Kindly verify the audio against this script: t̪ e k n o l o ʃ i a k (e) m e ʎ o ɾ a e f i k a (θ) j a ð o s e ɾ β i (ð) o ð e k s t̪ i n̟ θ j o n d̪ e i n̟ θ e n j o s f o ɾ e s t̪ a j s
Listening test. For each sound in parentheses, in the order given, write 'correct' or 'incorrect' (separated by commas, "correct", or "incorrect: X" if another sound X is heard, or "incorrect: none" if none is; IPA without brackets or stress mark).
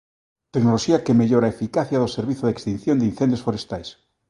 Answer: correct, correct, incorrect: θ